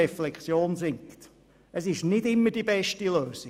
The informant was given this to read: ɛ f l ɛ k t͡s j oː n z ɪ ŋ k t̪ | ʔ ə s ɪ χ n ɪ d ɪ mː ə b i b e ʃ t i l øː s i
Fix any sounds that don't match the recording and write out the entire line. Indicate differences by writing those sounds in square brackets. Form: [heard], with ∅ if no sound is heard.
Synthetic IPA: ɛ f l ɛ k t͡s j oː n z ɪ ŋ k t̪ | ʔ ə s ɪ [ʃ] n ɪ d ɪ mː ə [d] i b [ɛ] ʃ t i l øː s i